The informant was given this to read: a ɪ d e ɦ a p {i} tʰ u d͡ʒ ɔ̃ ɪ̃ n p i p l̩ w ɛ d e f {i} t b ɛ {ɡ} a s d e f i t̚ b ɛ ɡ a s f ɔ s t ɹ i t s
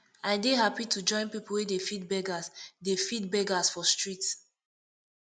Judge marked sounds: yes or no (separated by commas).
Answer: yes, yes, yes